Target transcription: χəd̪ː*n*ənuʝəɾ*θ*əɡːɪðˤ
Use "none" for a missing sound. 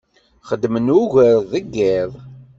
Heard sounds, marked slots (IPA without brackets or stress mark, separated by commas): m, ð